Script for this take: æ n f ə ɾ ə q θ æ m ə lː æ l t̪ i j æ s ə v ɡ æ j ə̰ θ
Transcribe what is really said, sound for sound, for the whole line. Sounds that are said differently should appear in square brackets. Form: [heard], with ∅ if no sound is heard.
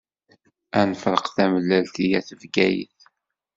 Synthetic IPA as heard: æ n f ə ɾ ə q θ æ m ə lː æ l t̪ i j æ [θ] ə v ɡ æ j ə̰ θ